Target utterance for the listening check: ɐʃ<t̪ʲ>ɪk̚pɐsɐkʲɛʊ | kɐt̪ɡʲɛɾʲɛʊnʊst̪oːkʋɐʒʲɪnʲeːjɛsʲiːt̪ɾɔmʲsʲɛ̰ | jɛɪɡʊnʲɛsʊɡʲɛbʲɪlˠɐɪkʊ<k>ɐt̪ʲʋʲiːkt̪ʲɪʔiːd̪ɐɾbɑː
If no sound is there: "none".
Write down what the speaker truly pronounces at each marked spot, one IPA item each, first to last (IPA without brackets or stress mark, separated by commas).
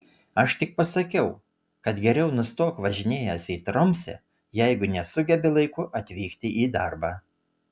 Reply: t̪ʲ, ʔ